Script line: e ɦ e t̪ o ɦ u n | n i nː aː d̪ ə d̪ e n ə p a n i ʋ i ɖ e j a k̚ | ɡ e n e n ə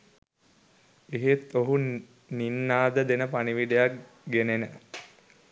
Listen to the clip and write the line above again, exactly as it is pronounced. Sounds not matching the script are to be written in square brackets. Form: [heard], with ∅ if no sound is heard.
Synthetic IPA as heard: e ɦ e t̪ o ɦ u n | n i nː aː d̪ ə d̪ e n ə p a n i ʋ i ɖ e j a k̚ | ɡ e n e n ə